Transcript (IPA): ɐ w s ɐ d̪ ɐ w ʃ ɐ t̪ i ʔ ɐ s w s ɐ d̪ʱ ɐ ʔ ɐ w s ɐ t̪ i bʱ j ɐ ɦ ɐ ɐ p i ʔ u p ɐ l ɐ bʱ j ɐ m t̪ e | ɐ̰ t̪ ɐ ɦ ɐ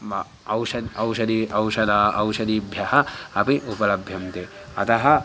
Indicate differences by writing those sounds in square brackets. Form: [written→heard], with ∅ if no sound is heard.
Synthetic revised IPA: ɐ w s ɐ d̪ ɐ w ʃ ɐ [t̪→d̪] i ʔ ɐ [s→∅] w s ɐ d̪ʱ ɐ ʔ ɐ w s ɐ [t̪→d̪] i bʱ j ɐ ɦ ɐ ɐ p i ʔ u p ɐ l ɐ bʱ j ɐ m t̪ e | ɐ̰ t̪ ɐ ɦ ɐ

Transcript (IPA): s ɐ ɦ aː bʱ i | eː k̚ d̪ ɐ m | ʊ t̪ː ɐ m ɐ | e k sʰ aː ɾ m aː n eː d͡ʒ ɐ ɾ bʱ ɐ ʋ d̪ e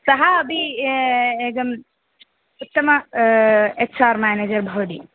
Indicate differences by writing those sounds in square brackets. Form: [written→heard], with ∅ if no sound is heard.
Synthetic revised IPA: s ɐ ɦ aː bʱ i | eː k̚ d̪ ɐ m | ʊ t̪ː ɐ m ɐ | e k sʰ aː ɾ m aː n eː d͡ʒ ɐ ɾ bʱ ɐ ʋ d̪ [e→i]

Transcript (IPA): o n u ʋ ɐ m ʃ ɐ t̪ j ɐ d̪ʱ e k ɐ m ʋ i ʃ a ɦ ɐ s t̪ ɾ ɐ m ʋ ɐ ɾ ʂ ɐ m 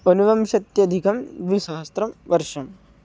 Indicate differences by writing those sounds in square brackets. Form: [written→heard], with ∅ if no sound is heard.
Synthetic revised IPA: o n u ʋ ɐ m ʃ ɐ t̪ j ɐ d̪ʱ [e→i] k ɐ m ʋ i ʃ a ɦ ɐ s t̪ ɾ ɐ m ʋ ɐ ɾ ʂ ɐ m

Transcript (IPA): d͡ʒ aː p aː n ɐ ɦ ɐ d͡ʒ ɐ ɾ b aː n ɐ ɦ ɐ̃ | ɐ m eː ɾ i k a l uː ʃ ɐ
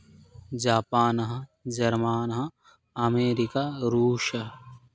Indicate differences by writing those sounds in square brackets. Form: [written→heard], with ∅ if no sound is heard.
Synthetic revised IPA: d͡ʒ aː p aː n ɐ ɦ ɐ d͡ʒ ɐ ɾ [b→m] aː n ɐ ɦ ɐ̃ | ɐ m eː ɾ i k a [l→ɾ] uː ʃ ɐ

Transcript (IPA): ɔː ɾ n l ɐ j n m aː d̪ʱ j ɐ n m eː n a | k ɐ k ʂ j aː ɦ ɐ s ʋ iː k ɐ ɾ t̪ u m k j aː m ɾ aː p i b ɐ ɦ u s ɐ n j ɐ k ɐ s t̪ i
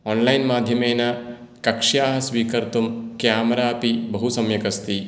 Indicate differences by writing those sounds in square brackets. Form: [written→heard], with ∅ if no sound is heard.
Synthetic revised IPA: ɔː [ɾ→∅] n l ɐ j n m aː d̪ʱ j ɐ [n→∅] m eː n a | k ɐ k ʂ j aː ɦ ɐ s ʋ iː k ɐ ɾ t̪ u m k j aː m ɾ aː p i b ɐ ɦ u s ɐ [n→m] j ɐ k ɐ s t̪ i

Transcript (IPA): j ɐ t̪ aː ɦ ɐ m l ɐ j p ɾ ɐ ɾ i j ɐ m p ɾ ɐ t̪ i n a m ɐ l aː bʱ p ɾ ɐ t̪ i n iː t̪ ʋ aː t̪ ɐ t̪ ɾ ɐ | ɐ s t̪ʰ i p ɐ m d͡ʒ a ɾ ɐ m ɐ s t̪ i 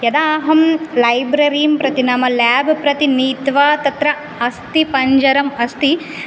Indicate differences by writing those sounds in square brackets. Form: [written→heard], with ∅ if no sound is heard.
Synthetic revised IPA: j ɐ [t̪→d̪] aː ɦ ɐ m l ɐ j [p→b] ɾ ɐ ɾ i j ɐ m p ɾ ɐ t̪ i n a m ɐ l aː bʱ p ɾ ɐ t̪ i n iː t̪ ʋ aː t̪ ɐ t̪ ɾ ɐ | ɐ s [t̪ʰ→t̪] i p ɐ [m→ɲ] d͡ʒ [a→ɐ] ɾ ɐ m ɐ s t̪ i

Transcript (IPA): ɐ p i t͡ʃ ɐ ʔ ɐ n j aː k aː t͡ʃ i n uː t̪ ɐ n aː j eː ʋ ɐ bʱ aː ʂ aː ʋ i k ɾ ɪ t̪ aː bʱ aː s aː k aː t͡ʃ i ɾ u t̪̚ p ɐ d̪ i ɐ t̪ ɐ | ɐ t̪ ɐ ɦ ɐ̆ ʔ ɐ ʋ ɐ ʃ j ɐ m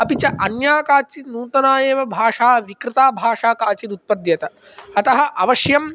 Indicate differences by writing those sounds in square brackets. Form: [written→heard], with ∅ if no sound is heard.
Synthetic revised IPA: ɐ p i t͡ʃ ɐ ʔ ɐ n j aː k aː t͡ʃ i n uː t̪ ɐ n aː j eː ʋ ɐ bʱ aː ʂ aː ʋ i k ɾ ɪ t̪ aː bʱ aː [s→ʂ] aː k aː t͡ʃ i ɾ u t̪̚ p ɐ d̪ [i→j] ɐ t̪ ɐ | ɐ t̪ ɐ ɦ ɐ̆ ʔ ɐ ʋ ɐ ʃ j ɐ m

